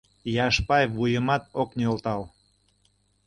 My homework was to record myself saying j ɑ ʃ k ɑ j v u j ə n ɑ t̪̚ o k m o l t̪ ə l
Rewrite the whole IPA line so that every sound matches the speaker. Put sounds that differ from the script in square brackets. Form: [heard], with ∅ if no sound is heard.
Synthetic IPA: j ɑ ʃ [p] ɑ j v u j ə [m] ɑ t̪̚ o k [n] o l t̪ [ɑ] l